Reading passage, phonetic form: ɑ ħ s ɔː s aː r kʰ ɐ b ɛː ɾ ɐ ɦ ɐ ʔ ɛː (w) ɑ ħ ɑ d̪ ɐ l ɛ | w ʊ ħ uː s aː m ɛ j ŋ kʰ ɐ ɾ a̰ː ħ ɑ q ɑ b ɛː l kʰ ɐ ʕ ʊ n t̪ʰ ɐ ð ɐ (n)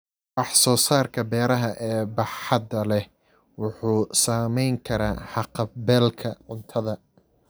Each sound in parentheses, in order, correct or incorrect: incorrect: b, incorrect: none

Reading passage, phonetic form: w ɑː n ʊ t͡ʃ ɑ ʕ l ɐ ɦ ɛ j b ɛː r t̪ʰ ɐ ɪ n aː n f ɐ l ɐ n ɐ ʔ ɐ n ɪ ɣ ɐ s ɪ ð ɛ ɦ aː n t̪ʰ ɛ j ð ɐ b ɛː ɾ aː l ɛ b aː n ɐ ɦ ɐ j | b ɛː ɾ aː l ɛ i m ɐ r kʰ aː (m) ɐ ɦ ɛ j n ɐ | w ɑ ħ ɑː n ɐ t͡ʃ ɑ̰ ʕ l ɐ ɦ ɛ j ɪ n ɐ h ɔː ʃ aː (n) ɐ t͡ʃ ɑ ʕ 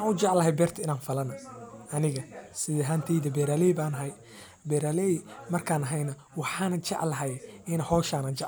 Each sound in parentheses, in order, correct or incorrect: incorrect: n, correct

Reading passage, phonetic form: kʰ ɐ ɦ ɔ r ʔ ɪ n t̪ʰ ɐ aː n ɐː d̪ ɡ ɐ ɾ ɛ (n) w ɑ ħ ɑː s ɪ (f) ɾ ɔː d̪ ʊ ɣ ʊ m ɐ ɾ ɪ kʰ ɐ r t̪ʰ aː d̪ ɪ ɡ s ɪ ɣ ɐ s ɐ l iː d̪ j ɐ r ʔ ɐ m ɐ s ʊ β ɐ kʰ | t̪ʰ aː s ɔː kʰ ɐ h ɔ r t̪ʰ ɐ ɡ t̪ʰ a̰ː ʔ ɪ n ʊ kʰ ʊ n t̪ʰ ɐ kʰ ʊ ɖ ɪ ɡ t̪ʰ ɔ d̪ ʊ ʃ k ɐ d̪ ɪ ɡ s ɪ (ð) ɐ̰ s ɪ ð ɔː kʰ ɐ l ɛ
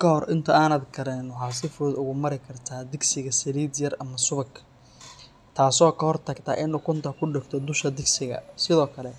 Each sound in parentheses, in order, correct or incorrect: correct, correct, incorrect: ɣ

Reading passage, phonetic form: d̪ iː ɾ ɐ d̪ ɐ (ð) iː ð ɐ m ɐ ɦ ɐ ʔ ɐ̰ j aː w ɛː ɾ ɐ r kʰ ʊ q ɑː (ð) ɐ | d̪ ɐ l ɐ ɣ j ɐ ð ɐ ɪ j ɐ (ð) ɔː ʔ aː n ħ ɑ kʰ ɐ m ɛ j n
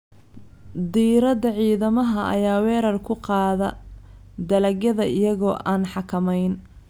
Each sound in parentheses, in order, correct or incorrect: incorrect: ʕ, correct, incorrect: ɣ

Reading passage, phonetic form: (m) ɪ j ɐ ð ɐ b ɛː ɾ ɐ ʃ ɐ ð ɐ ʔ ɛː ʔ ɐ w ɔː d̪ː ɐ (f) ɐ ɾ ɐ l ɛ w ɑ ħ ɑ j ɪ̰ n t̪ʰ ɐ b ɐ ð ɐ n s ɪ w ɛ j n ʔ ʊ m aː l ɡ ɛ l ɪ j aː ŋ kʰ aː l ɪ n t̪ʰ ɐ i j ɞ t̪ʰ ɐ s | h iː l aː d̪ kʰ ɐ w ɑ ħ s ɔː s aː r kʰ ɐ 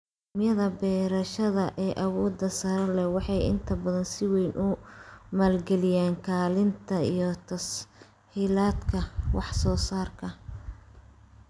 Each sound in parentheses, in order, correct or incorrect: correct, incorrect: s

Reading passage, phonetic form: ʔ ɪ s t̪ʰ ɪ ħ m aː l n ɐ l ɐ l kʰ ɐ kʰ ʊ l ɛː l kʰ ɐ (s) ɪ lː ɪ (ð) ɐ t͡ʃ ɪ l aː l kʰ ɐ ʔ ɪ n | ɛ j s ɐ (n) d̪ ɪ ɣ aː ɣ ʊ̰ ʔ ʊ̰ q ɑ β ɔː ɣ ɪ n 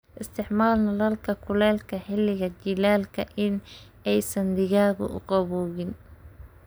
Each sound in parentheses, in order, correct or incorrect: incorrect: ħ, incorrect: ɣ, correct

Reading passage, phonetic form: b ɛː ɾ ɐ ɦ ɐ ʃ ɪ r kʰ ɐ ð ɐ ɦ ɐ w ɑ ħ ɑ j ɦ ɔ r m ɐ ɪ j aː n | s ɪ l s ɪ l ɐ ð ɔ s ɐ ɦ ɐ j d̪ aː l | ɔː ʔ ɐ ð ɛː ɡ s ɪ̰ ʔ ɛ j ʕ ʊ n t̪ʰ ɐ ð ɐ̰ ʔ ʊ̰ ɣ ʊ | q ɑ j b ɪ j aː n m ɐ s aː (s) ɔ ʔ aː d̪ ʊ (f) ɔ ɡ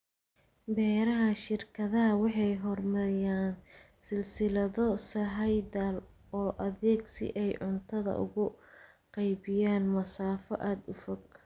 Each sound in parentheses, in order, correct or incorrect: incorrect: f, correct

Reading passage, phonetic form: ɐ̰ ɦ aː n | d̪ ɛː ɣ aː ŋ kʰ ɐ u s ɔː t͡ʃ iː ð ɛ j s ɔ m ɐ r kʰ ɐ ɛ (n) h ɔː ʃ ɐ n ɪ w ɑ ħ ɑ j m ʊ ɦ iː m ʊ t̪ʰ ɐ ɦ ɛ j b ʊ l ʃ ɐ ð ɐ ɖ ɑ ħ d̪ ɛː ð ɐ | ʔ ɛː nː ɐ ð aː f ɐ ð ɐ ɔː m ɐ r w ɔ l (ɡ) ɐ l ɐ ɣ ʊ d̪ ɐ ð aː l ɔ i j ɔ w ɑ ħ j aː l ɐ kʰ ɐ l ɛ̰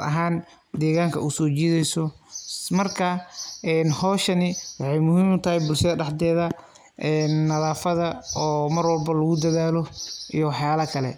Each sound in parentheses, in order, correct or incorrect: correct, incorrect: b

